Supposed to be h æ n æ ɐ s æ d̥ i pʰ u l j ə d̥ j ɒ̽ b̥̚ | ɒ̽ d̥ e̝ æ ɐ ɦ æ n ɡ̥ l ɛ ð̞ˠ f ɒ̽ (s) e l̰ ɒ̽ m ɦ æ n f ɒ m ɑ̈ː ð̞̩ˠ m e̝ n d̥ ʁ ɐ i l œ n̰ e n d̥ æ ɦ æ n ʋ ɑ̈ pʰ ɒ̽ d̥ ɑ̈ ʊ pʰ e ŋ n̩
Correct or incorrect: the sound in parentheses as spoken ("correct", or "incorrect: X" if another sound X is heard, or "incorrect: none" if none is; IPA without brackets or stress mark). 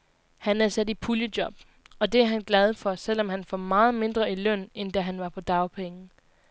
correct